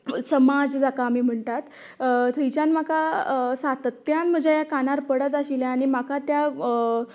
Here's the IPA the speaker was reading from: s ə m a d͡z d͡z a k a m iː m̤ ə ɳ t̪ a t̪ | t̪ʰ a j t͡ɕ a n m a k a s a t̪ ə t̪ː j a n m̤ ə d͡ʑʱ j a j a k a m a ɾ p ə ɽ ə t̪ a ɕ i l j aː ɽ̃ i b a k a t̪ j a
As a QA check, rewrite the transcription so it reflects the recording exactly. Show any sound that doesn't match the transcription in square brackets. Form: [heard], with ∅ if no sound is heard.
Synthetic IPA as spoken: s ə m a d͡z d͡z a k a m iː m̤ ə ɳ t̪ a t̪ | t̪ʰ [ə] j t͡ɕ a n m a k a s a t̪ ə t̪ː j a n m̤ ə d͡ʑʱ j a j a k a [n] a ɾ p ə ɽ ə t̪ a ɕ i l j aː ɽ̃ i [m] a k a t̪ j a